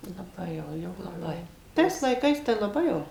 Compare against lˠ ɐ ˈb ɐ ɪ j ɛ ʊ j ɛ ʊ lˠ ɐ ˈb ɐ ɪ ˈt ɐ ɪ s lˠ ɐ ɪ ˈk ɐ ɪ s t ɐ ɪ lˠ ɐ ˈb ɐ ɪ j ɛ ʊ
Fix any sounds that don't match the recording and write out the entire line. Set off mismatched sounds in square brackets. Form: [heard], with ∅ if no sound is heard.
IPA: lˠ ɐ ˈb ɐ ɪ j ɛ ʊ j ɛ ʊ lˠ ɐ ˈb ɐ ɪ ˈt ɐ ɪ s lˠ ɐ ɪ ˈk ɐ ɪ s t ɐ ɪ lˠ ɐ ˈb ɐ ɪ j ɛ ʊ